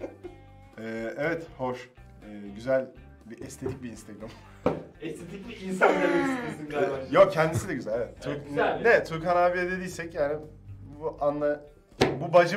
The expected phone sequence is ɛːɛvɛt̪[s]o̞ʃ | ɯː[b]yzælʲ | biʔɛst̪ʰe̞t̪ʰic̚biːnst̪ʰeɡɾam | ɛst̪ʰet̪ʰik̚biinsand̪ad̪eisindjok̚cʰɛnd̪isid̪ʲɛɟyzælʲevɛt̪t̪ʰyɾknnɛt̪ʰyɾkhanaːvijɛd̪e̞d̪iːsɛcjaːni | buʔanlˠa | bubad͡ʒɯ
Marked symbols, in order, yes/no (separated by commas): no, no